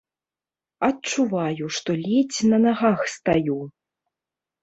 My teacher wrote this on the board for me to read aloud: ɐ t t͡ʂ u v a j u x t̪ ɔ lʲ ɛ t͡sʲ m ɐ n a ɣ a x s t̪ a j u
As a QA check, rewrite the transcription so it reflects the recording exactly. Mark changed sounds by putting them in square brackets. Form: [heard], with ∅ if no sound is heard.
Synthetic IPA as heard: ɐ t t͡ʂ u v a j u [ʂ] t̪ ɔ lʲ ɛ t͡sʲ [n] ɐ n a ɣ a x s t̪ a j u